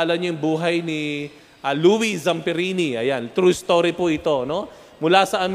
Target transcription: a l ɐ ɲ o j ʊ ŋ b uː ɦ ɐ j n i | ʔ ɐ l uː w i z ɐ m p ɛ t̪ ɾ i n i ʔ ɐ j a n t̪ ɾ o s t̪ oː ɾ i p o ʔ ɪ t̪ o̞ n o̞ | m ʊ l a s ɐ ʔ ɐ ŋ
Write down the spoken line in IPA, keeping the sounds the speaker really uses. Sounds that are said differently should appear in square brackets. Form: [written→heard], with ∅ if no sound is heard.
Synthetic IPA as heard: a l ɐ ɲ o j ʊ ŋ b uː ɦ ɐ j n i | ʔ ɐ l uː w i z ɐ m p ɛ [t̪→∅] ɾ i n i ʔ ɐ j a n t̪ ɾ [o→u] s t̪ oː ɾ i p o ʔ ɪ t̪ o̞ n o̞ | m ʊ l a s ɐ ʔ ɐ [ŋ→m]